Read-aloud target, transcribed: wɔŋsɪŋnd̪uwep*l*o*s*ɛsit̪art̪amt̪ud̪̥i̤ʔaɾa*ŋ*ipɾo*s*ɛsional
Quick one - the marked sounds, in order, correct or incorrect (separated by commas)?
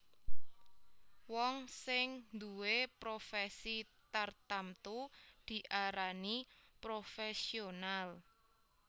incorrect, incorrect, incorrect, incorrect